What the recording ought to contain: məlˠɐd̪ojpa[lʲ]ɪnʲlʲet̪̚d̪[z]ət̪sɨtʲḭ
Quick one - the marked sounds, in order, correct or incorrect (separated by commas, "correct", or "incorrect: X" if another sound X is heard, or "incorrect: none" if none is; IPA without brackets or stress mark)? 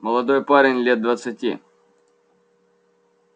incorrect: ɾʲ, incorrect: v